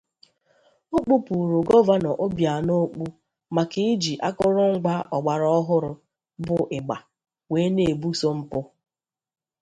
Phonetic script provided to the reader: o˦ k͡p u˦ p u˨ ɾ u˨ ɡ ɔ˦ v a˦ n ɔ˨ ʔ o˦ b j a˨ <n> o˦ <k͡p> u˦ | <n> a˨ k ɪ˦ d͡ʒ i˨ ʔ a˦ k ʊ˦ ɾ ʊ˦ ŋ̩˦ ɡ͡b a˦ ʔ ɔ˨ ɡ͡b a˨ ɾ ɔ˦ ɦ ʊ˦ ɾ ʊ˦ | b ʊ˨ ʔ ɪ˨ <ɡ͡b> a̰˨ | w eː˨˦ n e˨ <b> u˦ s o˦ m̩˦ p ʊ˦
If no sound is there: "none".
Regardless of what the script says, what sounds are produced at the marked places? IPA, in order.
n, k͡p, m, ɡ͡b, b

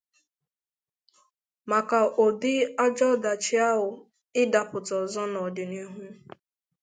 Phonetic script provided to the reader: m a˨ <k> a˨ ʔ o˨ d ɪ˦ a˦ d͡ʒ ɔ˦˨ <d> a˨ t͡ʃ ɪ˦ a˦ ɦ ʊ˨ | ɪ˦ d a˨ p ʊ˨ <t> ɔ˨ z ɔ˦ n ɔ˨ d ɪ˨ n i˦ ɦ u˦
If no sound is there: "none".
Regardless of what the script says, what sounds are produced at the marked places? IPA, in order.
k, d, t

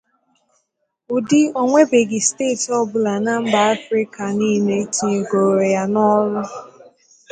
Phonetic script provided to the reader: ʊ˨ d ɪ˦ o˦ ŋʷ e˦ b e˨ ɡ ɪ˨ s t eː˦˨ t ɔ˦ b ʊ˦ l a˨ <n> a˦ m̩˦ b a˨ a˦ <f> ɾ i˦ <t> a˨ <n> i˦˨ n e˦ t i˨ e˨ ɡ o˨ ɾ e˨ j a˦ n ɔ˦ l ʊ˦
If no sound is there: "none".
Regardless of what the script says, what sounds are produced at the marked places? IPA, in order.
n, f, k, n

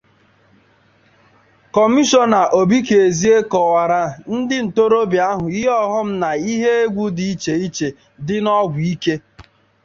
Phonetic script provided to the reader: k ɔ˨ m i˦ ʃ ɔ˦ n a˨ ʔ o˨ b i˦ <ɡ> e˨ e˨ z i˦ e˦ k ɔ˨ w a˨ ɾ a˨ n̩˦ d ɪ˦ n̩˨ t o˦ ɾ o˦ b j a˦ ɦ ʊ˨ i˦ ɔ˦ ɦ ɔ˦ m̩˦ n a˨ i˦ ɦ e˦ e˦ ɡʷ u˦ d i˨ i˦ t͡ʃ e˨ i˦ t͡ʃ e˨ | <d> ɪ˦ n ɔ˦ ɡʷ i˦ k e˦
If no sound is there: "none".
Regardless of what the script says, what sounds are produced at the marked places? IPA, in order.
k, d

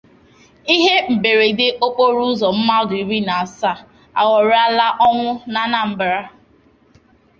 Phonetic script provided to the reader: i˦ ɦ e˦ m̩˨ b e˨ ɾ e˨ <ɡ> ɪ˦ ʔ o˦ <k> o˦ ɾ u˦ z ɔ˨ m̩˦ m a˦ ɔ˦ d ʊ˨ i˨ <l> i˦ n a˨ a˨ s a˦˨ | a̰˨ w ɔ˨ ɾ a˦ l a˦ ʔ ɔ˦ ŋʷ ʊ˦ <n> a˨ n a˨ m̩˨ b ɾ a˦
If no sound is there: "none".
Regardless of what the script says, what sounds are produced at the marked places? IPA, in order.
d, k͡p, ɾ, n

